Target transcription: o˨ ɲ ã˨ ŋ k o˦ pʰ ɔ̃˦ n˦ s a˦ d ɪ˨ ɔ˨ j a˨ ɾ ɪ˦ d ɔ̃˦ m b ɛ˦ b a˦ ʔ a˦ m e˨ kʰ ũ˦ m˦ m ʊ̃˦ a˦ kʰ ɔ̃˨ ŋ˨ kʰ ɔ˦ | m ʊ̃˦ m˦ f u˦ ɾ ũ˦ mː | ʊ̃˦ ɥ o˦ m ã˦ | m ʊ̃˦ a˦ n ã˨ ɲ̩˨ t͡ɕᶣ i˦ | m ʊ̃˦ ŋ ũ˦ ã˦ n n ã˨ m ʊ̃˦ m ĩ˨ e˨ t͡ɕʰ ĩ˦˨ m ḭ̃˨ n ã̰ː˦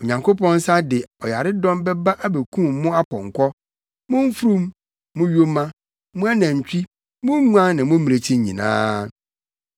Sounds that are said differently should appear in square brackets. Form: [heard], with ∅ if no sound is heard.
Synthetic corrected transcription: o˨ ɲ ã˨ ŋ k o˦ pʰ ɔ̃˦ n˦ s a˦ d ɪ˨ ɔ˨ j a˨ ɾ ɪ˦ d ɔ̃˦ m b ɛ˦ b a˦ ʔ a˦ [b] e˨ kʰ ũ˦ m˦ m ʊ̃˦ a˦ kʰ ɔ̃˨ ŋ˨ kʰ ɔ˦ | m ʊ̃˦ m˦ f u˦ ɾ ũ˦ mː | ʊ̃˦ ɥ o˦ m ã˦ | m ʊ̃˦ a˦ n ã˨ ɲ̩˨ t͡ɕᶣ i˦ | m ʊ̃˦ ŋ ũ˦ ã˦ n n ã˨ m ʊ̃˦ m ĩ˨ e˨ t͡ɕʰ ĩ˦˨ [ɲ] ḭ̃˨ n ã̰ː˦